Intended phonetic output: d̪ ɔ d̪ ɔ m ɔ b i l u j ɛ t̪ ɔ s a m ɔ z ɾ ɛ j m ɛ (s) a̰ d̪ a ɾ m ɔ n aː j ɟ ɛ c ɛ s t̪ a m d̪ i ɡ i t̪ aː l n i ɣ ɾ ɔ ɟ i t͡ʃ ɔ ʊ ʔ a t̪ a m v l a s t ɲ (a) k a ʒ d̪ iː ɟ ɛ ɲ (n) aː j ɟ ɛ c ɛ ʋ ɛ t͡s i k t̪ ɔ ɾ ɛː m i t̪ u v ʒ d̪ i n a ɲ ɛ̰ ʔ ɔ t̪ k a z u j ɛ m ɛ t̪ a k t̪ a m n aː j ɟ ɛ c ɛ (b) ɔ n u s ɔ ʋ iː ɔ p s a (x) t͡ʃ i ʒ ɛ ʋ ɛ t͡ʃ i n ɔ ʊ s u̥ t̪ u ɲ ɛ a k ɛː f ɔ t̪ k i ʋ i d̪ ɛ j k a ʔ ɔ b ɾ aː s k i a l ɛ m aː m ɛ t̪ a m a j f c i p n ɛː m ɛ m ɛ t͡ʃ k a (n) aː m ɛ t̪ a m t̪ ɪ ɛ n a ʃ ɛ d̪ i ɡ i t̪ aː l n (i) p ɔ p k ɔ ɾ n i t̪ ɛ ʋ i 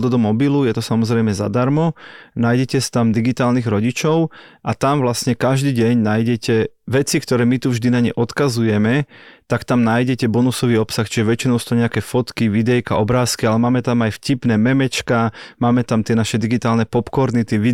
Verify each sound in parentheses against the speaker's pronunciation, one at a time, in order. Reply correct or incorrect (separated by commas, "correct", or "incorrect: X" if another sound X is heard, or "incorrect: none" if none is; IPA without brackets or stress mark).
incorrect: z, incorrect: ɛ, correct, correct, correct, incorrect: m, incorrect: ɛ